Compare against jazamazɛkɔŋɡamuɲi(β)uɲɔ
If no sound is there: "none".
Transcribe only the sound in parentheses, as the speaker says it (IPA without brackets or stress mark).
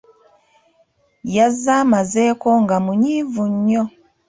v